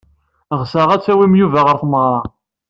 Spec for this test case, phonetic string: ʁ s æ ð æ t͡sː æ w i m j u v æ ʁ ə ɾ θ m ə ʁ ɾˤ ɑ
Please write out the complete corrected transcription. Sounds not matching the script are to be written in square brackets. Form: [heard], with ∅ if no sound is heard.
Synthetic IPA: ʁ s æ [ʁ] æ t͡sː æ w i m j u v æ ʁ ə ɾ θ m ə ʁ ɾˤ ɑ